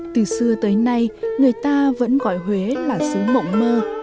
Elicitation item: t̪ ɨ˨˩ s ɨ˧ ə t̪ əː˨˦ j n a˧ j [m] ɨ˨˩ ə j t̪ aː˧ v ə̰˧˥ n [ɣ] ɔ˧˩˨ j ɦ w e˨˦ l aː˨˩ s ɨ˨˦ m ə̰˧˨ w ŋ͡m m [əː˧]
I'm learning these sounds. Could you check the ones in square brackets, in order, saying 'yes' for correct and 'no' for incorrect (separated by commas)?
no, yes, yes